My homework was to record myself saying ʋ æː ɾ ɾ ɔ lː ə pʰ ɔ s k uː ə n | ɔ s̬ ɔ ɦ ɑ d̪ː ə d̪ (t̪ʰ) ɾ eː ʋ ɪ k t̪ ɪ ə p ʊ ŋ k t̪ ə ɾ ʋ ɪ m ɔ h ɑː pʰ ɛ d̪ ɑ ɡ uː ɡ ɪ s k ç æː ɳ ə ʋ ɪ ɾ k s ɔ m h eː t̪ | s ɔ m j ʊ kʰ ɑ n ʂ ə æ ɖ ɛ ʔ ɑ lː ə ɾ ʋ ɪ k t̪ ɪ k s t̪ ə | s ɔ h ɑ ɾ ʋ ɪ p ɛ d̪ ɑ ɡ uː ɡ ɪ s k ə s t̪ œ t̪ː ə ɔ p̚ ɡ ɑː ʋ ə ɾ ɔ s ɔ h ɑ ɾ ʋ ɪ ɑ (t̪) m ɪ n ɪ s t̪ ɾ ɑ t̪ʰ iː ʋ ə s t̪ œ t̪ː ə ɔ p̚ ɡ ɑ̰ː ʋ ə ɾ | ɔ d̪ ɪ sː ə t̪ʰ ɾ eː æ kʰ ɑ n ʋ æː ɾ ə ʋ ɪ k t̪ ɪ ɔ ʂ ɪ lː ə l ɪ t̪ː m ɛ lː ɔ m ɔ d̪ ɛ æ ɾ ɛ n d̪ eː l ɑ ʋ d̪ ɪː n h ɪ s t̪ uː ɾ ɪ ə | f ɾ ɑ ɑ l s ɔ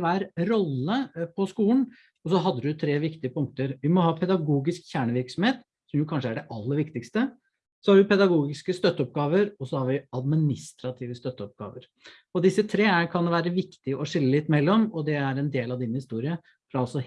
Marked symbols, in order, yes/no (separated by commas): yes, no